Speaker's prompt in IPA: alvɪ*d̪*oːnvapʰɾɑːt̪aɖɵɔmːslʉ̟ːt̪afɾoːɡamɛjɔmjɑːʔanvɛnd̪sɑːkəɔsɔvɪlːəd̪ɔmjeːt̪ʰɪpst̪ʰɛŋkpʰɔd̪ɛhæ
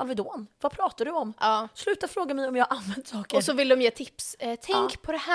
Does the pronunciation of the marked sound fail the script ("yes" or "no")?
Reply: no